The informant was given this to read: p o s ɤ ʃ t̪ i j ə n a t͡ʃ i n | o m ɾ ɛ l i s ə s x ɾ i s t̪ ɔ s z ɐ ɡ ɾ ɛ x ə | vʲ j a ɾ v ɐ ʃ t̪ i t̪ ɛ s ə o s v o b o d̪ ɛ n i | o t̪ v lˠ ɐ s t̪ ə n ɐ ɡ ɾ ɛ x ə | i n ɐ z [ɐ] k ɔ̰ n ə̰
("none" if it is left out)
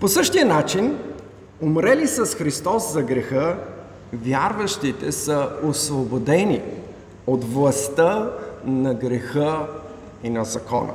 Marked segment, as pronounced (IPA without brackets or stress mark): ɐ